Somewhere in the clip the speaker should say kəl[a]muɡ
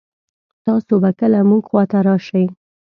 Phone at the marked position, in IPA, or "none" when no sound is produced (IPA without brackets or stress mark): a